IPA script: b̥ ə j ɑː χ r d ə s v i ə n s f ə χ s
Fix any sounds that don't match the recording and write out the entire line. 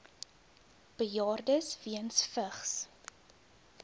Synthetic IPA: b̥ ə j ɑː r d ə s v i ə n s f ə χ s